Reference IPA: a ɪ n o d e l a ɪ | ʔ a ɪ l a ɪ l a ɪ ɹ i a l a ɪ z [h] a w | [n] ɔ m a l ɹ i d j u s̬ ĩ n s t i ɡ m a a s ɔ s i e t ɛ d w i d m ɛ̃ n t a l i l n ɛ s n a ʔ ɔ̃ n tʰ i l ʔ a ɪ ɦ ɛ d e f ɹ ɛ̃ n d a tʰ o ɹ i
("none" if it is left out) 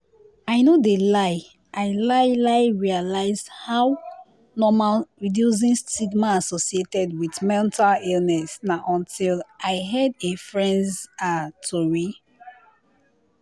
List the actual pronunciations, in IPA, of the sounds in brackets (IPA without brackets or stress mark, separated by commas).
h, n